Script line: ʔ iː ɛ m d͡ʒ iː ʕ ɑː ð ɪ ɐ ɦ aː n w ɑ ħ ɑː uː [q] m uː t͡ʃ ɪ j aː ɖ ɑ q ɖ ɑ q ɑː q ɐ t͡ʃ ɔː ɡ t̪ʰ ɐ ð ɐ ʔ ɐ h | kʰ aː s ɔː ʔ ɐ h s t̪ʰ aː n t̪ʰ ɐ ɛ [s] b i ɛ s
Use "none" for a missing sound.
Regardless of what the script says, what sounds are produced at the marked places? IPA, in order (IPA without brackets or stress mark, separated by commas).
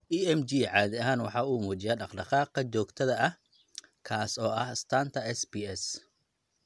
none, s